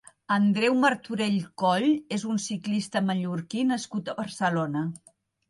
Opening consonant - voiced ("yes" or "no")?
yes